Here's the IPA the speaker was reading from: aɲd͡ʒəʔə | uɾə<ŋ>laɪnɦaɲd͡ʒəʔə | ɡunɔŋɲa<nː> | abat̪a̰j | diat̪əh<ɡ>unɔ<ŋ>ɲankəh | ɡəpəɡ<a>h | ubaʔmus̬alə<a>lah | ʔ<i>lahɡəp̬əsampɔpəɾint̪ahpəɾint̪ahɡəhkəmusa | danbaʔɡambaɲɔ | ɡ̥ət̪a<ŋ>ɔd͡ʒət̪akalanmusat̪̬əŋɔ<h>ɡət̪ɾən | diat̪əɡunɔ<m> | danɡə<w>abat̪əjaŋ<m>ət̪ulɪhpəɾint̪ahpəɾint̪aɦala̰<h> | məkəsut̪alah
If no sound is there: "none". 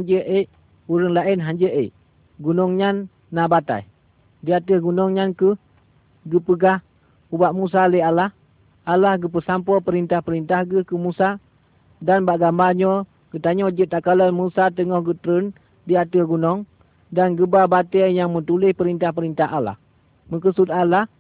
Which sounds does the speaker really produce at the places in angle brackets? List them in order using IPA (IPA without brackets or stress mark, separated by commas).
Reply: ŋ, nː, ɡ, ŋ, a, a, a, ɲ, h, ŋ, b, m, h